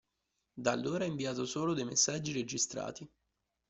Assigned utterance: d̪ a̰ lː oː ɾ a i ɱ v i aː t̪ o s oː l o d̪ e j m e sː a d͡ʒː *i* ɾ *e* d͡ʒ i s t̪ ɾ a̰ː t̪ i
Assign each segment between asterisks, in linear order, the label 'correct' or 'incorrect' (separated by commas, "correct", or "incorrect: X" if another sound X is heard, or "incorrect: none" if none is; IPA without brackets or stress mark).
correct, correct